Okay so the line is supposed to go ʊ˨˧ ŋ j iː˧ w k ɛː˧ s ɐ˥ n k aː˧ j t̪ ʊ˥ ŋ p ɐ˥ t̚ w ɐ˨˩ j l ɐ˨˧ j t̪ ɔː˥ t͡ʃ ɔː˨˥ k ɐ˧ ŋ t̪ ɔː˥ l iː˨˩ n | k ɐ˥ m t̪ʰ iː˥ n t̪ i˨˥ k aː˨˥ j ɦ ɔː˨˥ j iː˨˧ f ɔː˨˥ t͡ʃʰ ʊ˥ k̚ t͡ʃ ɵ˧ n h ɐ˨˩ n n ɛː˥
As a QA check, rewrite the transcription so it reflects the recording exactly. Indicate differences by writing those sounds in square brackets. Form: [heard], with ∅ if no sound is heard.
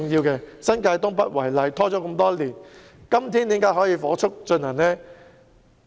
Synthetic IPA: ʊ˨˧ ŋ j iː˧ w k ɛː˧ s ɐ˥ n k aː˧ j t̪ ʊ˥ ŋ p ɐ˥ t̚ w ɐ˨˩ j l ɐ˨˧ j [t̪ʰ] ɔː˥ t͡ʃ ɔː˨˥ k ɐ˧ [m] t̪ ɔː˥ l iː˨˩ n | k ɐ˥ m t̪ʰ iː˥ n t̪ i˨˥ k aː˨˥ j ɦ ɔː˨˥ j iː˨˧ f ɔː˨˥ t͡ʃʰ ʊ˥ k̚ t͡ʃ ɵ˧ n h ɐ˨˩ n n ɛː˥

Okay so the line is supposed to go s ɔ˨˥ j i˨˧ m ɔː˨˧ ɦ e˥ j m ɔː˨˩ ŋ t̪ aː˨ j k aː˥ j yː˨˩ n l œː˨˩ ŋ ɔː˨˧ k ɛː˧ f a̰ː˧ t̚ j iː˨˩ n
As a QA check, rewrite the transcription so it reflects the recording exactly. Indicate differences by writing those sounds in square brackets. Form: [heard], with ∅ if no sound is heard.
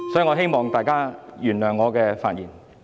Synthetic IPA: s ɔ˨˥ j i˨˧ [ŋ] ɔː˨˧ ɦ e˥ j m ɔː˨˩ ŋ t̪ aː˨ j k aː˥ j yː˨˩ n l œː˨˩ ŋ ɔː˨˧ k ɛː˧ f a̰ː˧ t̚ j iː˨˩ n

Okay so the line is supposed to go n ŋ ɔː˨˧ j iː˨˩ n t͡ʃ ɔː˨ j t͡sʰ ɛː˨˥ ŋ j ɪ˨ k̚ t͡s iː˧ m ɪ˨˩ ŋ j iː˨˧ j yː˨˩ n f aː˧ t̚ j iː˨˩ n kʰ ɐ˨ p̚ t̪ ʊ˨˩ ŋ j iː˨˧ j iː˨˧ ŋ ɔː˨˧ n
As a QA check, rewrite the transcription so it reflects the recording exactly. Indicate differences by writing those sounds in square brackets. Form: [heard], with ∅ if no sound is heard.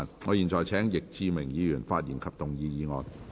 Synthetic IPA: n ŋ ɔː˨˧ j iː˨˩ n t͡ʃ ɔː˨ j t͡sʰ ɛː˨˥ ŋ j ɪ˨ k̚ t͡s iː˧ m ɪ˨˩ ŋ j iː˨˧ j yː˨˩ n f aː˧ t̚ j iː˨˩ n kʰ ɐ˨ p̚ t̪ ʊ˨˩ ŋ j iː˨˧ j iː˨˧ ŋ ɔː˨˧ n

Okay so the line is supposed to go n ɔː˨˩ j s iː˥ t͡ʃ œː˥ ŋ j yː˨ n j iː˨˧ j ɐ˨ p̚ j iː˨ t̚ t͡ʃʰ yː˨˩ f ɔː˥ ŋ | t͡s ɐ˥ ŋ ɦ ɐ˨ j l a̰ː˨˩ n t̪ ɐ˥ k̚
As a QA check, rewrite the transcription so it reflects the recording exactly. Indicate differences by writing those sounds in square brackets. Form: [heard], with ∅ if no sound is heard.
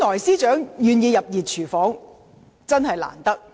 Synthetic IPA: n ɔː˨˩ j s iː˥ t͡ʃ [œː˨˥] ŋ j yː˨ n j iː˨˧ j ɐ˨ p̚ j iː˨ t̚ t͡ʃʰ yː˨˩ f [ɔː˨˥] ŋ | t͡s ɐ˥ [n] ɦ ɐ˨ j l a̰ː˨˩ n t̪ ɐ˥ k̚

